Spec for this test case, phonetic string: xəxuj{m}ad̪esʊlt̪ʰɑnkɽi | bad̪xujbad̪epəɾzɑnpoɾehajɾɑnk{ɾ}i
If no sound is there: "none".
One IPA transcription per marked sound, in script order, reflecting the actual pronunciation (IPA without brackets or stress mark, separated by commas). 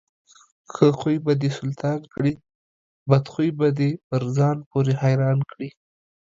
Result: b, ɽ